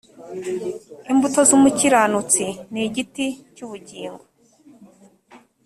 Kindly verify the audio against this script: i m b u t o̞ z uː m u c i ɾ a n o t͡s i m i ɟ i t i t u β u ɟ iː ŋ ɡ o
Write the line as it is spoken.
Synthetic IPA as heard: i m b u t o̞ z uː m u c i ɾ a n u t͡s i n i ɟ i t i c u β u ɟ iː ŋ ɡ o